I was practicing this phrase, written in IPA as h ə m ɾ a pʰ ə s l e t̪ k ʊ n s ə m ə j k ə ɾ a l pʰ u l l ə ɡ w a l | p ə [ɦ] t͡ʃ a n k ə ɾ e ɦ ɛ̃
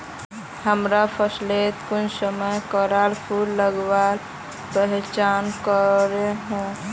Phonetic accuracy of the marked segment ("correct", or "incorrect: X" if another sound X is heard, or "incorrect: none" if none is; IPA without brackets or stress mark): correct